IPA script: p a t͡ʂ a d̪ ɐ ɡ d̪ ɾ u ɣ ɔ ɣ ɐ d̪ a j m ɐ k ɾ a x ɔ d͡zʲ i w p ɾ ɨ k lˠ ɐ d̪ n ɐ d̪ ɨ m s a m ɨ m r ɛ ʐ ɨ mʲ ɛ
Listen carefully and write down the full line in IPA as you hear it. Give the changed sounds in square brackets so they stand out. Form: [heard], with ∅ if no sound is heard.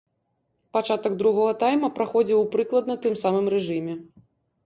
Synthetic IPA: p a t͡ʂ a [t̪] ɐ ɡ d̪ ɾ u ɣ ɔ ɣ ɐ [t̪] a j m ɐ [p] ɾ a x ɔ d͡zʲ i w p ɾ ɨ k lˠ ɐ d̪ n ɐ [t̪] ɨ m s a m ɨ m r ɛ ʐ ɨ mʲ ɛ